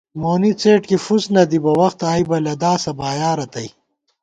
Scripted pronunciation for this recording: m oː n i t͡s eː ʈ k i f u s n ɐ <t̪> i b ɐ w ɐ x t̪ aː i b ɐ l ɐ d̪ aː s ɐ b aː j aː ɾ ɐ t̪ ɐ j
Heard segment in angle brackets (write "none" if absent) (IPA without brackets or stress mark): d̪